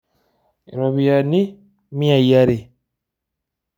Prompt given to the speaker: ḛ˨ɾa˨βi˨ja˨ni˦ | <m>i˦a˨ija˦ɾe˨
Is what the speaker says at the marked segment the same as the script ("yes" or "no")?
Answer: yes